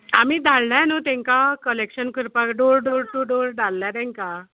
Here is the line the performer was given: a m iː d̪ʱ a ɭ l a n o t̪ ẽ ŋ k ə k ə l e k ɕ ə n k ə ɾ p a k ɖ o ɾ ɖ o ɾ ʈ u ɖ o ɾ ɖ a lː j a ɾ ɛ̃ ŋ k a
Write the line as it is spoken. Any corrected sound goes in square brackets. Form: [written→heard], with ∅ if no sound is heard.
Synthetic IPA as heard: a m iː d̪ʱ a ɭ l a n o t̪ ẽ ŋ k [ə→a] k ə l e k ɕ ə n k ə ɾ p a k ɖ o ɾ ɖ o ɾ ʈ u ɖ o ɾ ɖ a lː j a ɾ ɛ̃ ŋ k a